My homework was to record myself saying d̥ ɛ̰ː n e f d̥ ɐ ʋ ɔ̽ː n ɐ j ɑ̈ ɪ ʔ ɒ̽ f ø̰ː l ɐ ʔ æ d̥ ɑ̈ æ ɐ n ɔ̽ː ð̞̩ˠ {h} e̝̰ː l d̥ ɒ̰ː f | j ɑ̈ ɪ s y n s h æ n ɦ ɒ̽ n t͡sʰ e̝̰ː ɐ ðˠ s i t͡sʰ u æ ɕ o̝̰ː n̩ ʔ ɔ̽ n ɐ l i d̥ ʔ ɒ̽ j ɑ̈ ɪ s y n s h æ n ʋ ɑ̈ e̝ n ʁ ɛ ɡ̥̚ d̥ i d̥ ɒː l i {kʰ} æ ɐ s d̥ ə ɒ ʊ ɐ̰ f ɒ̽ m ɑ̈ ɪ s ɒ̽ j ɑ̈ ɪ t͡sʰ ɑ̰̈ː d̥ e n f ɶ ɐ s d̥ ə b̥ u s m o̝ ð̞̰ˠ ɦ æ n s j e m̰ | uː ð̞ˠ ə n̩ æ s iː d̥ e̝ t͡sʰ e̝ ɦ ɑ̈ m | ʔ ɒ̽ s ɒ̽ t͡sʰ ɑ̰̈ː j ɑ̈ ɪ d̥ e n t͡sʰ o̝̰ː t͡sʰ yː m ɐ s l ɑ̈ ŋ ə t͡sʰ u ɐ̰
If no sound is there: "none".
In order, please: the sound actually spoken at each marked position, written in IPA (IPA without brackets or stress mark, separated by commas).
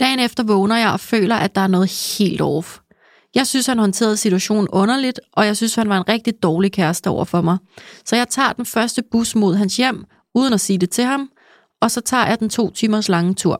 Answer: h, kʰ